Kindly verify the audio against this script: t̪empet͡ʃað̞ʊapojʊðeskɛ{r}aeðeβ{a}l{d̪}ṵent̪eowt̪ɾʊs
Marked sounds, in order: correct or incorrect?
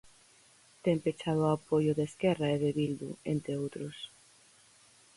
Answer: correct, incorrect, correct

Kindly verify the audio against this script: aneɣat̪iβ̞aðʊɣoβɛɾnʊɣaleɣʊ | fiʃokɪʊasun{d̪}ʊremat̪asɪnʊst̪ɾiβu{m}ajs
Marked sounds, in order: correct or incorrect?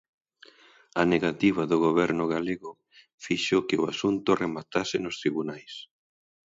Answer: incorrect, incorrect

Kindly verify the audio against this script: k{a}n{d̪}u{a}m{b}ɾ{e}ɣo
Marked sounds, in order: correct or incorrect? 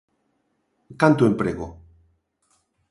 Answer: correct, incorrect, incorrect, incorrect, correct

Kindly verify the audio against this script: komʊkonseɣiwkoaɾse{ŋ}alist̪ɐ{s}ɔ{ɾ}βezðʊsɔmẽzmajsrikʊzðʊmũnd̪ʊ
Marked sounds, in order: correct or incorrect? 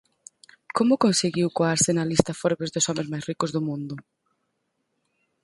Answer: incorrect, incorrect, correct

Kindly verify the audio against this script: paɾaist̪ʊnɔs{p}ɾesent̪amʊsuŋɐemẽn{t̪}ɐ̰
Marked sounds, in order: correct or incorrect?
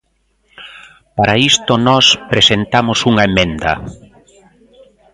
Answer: correct, incorrect

